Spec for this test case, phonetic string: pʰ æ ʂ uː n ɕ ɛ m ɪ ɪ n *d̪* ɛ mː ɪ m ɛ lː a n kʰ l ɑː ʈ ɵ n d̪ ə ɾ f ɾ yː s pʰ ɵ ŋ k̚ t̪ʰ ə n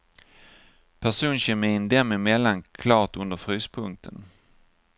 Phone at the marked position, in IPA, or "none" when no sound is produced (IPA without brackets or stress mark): d̪